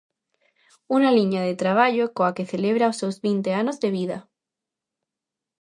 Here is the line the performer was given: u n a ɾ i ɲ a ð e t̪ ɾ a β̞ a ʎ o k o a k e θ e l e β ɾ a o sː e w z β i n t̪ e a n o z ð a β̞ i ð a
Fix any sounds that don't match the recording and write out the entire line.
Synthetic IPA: u n a l i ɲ a ð e t̪ ɾ a β̞ a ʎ o k o a k e θ e l e β ɾ a o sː e w z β i n t̪ e a n o z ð e β̞ i ð a